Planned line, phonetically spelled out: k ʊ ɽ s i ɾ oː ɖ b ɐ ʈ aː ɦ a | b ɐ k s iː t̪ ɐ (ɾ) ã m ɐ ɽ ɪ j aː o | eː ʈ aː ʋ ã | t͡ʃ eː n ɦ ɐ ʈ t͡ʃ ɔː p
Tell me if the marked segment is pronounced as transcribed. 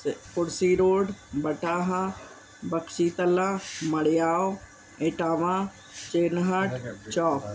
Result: no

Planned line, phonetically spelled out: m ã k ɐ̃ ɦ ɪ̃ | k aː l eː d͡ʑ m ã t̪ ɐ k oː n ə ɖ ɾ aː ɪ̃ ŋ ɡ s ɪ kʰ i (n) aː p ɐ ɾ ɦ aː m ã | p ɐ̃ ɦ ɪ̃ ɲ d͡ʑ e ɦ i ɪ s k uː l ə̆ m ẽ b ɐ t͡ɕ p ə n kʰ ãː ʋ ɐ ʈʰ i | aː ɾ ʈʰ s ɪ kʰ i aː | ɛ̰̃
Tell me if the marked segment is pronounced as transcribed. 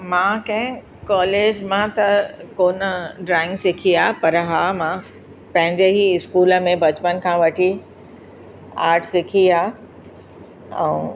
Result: no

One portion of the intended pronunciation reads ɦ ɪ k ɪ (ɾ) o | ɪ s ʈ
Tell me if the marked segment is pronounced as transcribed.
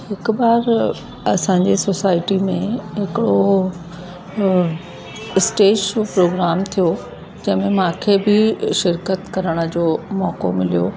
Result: no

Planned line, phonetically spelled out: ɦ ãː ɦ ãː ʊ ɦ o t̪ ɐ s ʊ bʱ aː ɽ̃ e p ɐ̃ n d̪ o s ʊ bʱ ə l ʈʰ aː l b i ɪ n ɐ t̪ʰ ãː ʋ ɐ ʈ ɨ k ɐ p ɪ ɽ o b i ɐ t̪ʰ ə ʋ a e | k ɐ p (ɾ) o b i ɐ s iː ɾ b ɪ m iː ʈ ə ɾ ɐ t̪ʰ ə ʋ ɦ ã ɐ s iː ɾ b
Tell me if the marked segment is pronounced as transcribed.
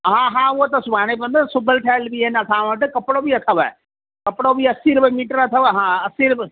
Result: no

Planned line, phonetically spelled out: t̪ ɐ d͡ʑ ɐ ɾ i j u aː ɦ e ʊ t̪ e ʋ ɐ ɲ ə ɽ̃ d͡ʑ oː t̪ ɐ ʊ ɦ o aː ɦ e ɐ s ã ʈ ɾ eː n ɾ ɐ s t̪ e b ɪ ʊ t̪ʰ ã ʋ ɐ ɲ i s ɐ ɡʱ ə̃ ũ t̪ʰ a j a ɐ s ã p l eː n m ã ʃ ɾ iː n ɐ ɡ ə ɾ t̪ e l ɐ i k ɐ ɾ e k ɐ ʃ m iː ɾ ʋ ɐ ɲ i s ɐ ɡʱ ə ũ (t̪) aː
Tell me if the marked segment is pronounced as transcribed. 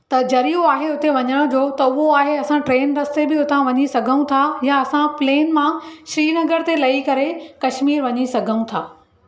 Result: no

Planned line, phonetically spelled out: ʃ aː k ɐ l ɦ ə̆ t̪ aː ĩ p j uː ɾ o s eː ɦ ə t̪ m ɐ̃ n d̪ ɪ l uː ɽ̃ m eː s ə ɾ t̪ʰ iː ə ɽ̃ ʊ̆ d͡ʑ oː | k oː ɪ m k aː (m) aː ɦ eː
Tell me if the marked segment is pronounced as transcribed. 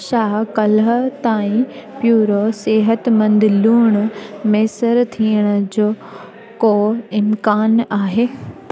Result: no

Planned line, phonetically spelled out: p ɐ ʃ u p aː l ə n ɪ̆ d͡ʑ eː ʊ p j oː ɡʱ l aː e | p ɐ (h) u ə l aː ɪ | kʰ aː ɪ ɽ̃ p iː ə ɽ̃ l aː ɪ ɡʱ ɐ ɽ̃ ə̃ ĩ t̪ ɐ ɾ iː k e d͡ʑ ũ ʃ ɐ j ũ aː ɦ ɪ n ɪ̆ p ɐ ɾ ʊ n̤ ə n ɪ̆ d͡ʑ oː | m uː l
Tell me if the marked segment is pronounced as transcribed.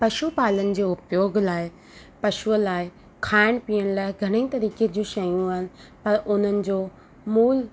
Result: no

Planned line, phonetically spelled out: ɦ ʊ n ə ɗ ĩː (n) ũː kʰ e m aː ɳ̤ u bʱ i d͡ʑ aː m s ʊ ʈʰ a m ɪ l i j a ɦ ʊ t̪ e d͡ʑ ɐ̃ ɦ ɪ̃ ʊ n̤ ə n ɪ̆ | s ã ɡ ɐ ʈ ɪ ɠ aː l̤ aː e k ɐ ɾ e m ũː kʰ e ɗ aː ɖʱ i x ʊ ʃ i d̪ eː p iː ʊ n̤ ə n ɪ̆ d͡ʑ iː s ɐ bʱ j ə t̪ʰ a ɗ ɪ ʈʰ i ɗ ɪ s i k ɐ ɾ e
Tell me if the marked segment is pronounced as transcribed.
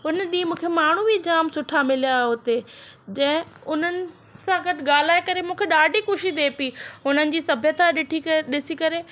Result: no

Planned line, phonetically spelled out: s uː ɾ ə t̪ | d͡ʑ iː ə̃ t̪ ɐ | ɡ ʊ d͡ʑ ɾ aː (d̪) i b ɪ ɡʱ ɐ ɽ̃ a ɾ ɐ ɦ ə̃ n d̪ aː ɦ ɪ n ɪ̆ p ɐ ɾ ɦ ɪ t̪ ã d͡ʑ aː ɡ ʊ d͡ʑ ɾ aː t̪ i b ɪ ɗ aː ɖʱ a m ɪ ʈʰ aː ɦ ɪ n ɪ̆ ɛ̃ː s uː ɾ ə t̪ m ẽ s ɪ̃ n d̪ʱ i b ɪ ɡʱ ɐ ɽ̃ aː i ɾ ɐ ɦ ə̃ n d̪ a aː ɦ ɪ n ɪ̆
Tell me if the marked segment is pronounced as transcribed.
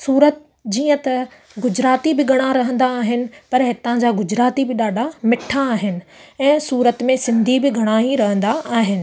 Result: no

